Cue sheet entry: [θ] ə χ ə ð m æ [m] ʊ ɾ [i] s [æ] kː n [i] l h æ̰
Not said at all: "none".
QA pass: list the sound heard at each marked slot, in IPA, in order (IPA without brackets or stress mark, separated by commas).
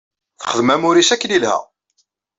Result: θ, m, i, æ, i